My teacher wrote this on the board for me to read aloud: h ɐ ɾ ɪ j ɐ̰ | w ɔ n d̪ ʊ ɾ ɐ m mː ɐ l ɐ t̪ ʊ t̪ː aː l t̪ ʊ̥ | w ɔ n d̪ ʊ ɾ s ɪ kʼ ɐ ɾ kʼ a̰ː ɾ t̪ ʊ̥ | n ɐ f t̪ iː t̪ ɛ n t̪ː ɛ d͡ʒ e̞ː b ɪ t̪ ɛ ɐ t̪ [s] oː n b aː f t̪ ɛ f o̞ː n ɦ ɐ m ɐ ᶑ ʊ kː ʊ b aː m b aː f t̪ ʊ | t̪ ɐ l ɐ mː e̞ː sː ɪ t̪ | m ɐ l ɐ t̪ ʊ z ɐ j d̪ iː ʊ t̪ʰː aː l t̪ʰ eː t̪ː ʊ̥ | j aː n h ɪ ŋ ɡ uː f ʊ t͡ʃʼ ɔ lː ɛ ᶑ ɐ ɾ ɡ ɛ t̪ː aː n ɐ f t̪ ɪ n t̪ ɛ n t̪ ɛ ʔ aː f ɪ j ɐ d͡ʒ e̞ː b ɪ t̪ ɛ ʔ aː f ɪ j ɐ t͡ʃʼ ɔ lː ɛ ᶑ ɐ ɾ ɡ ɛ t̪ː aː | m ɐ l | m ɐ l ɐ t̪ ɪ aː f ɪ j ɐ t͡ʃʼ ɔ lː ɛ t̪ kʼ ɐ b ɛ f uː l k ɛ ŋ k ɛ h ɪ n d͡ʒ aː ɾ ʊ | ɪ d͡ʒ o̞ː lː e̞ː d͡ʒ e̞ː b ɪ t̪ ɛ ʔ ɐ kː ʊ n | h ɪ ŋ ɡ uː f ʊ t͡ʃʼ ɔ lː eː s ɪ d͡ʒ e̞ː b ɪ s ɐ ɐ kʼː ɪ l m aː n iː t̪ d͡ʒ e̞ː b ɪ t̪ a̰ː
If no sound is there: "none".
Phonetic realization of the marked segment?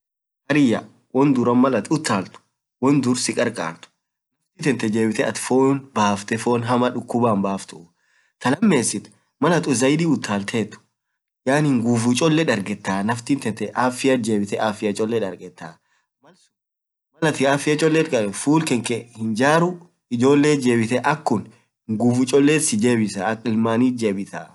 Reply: f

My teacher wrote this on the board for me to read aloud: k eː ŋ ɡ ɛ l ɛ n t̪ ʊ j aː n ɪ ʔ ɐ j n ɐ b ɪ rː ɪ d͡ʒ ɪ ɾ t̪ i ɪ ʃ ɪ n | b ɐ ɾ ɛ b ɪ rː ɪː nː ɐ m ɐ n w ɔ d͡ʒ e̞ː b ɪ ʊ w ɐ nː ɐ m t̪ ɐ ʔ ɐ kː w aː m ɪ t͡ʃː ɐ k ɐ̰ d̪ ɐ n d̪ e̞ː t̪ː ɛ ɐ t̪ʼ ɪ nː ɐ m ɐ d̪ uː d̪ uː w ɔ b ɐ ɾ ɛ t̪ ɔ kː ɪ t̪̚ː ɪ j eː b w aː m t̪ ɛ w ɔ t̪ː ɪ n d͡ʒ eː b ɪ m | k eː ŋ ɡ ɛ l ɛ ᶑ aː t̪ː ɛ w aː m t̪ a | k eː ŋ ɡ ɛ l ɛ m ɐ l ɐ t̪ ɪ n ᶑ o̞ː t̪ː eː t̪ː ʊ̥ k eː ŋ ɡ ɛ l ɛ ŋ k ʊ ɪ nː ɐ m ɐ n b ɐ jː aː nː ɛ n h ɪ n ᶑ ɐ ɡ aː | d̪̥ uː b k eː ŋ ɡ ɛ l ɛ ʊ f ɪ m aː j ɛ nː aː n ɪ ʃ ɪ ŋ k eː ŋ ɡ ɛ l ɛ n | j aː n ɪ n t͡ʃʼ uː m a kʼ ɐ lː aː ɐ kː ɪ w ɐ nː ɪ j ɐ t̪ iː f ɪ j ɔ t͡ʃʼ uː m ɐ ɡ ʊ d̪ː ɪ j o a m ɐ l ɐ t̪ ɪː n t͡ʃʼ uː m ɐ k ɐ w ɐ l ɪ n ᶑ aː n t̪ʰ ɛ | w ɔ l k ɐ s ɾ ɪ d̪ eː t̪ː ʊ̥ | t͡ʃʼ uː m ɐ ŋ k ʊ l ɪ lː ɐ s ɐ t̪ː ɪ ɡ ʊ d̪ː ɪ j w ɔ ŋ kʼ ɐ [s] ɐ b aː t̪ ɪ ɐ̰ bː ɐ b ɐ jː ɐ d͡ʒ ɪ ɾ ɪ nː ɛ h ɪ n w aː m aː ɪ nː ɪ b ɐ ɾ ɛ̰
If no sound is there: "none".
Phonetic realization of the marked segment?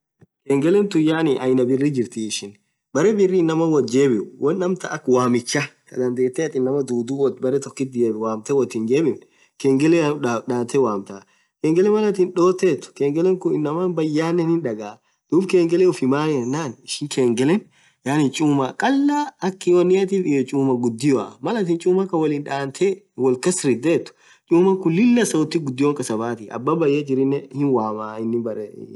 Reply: s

